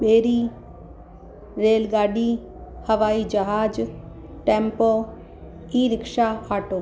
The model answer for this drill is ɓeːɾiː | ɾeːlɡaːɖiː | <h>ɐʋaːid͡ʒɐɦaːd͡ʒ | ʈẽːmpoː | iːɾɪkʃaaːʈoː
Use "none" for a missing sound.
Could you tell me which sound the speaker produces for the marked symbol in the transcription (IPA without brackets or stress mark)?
h